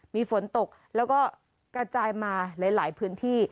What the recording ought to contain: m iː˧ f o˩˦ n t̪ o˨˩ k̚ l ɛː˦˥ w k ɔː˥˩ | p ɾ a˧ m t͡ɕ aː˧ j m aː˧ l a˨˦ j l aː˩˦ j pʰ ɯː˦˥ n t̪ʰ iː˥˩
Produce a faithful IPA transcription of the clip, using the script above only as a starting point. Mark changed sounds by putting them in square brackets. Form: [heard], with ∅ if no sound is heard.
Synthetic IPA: m iː˧ f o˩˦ n t̪ o˨˩ k̚ l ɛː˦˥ w k ɔː˥˩ | [k] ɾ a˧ [∅] t͡ɕ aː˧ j m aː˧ l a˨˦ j l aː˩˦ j pʰ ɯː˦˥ n t̪ʰ iː˥˩